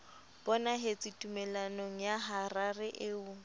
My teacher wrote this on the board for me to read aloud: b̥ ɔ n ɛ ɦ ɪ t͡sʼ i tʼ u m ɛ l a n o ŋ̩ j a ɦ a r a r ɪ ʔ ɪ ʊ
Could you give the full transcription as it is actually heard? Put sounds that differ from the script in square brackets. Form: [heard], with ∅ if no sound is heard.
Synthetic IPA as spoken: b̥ ɔ n [a] ɦ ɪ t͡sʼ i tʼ u m ɛ l a n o ŋ̩ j a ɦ a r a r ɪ ʔ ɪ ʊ